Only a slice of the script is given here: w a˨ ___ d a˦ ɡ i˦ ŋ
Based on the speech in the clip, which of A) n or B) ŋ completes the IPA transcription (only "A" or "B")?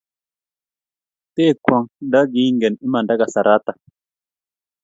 B